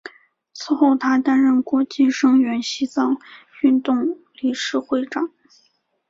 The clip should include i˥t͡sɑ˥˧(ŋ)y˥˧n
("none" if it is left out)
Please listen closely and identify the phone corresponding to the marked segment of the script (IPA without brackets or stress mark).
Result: ŋ